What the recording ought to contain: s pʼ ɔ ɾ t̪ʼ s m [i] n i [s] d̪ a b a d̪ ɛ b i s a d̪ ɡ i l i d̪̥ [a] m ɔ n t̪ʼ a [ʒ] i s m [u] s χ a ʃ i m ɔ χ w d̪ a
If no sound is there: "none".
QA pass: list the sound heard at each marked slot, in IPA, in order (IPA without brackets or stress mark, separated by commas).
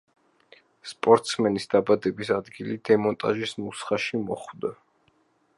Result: ɛ, s, ɛ, ʒ, u